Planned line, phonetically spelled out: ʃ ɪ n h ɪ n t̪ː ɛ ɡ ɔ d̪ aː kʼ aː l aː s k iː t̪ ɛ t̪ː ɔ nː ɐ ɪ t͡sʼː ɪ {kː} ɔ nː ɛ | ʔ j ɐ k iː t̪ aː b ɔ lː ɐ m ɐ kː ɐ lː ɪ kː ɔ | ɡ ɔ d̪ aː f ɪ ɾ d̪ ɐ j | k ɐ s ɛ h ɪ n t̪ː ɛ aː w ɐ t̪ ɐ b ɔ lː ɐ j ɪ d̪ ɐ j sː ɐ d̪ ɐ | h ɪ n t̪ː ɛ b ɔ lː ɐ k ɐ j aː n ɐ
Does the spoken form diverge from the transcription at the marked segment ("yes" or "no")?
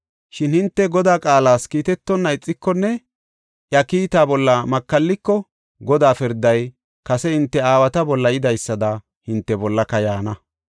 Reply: no